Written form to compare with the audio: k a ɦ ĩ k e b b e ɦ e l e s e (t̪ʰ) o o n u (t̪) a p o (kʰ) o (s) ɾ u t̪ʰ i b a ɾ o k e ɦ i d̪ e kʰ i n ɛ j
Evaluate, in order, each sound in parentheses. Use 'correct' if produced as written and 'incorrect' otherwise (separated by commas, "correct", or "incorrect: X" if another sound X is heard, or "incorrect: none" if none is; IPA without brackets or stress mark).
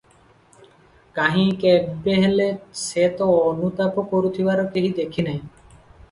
incorrect: t̪, correct, incorrect: k, incorrect: none